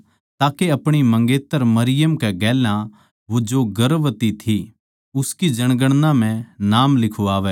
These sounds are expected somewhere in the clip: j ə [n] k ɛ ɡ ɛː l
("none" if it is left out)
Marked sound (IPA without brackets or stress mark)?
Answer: m